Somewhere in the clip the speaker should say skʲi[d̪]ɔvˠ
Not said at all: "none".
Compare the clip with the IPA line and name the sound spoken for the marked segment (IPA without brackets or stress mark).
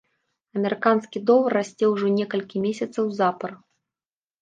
d̪